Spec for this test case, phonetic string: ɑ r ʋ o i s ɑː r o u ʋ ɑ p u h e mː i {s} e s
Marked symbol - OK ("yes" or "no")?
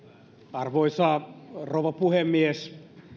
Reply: no